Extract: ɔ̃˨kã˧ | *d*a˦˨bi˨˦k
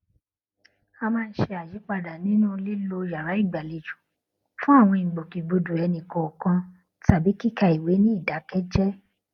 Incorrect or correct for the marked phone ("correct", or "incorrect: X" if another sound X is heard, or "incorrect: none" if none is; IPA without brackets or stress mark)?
incorrect: t